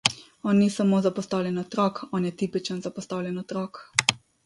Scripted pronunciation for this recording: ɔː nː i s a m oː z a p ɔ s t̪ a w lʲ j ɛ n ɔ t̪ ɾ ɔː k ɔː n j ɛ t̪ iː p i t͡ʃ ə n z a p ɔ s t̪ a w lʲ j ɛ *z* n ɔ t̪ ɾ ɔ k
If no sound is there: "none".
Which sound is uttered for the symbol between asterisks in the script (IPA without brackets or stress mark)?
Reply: none